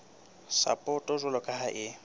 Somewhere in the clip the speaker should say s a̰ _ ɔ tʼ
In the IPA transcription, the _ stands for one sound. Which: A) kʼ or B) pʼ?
B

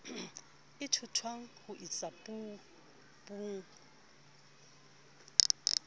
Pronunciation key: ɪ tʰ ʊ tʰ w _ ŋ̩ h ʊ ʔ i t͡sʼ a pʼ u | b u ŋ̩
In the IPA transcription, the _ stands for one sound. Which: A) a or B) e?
A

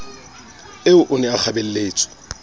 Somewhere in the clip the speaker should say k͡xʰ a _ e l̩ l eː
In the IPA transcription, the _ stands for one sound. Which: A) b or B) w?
A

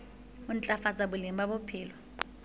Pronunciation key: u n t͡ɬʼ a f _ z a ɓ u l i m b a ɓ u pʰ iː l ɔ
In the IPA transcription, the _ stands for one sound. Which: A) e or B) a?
B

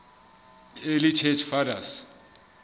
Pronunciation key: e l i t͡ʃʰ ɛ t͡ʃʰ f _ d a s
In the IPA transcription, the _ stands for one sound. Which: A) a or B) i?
A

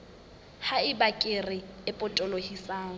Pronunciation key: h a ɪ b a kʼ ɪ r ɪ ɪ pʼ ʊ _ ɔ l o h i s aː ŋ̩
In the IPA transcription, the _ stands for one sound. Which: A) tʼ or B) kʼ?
A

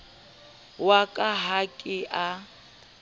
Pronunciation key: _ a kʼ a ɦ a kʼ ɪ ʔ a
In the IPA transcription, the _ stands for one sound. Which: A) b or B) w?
B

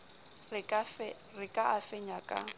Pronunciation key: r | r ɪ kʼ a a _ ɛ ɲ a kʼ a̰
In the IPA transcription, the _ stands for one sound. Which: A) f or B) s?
A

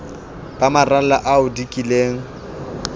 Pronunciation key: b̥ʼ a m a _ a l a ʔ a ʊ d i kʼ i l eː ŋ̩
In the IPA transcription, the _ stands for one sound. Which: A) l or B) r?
B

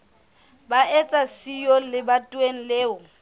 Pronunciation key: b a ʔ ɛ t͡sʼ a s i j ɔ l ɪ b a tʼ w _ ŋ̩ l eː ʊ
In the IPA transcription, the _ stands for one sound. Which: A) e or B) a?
A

